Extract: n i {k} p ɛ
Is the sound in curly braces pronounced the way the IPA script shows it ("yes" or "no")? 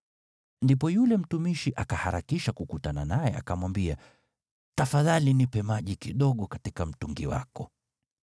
no